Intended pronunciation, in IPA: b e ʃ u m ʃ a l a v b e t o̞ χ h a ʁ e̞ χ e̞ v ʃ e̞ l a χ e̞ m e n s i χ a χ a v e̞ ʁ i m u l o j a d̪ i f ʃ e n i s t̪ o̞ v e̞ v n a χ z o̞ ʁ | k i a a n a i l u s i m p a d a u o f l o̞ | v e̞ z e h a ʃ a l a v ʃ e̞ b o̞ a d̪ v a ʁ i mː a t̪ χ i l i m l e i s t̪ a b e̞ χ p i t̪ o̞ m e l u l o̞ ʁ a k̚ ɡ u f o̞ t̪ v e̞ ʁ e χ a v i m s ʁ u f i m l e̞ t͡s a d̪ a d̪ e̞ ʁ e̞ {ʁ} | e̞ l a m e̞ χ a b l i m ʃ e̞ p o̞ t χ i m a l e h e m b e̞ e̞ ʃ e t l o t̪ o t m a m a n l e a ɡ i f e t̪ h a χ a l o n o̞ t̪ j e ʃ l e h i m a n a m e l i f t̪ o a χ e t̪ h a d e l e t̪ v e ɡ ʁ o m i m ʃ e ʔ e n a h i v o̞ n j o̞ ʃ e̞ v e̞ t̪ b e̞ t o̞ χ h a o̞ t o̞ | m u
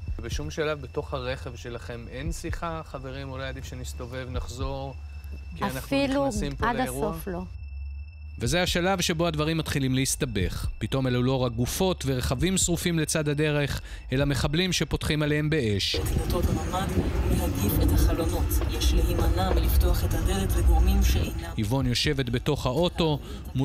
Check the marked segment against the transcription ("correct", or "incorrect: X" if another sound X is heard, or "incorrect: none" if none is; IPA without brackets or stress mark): incorrect: χ